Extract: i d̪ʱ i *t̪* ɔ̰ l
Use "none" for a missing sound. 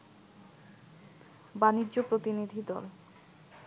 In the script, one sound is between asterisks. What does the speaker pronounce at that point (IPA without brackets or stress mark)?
d̪